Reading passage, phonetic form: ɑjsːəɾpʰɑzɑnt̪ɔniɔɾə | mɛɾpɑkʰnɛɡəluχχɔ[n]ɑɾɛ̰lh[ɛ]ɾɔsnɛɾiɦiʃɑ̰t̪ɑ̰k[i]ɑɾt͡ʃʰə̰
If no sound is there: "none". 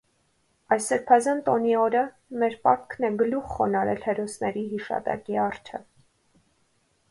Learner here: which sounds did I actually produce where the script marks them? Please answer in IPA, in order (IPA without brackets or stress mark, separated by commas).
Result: n, ɛ, i